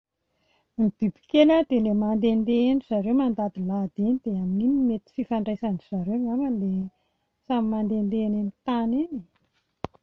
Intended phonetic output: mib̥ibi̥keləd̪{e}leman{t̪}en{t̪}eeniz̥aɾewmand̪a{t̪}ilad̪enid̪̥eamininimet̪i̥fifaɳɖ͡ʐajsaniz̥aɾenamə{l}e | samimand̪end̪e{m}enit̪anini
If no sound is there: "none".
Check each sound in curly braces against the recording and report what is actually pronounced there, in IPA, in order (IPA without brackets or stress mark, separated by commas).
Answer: e, d̪, d̪, d̪, l, n